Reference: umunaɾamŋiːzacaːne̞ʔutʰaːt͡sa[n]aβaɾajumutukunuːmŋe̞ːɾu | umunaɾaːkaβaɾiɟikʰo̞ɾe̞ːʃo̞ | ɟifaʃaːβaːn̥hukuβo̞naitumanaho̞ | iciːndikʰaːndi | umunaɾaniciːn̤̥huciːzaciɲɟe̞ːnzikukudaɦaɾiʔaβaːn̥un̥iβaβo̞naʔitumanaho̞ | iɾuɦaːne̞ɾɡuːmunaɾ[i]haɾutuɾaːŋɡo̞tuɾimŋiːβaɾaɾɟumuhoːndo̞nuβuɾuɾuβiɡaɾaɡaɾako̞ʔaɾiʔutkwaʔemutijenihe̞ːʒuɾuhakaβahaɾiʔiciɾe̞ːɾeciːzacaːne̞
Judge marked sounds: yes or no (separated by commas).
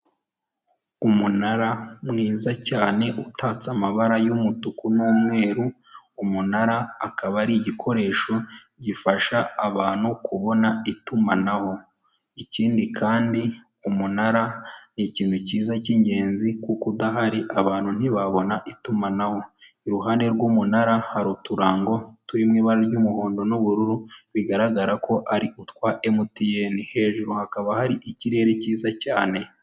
no, no